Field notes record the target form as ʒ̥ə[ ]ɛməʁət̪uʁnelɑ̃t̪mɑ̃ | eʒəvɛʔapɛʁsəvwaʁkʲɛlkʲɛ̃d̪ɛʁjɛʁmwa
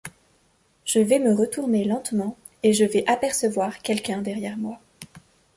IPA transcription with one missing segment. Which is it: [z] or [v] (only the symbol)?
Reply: v